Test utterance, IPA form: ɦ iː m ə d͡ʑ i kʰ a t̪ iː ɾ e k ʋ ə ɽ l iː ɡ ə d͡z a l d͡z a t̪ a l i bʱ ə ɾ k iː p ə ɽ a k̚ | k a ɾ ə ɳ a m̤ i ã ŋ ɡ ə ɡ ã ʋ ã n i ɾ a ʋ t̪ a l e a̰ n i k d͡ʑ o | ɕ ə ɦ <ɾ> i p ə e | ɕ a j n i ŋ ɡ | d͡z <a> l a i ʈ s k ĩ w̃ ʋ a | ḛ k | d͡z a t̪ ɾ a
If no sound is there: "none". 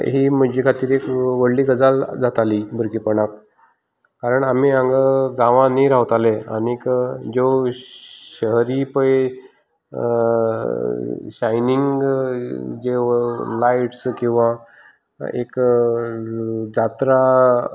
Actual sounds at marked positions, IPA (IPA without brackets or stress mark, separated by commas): ɾ, e